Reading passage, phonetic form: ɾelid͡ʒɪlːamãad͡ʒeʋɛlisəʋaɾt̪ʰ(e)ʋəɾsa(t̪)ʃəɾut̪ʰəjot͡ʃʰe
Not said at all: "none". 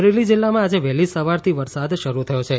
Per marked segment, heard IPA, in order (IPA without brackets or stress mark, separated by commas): i, d̪